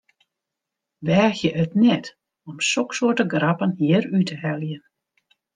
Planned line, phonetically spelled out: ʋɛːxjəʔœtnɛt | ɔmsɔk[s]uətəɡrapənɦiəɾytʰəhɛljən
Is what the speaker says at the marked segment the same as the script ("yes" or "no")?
yes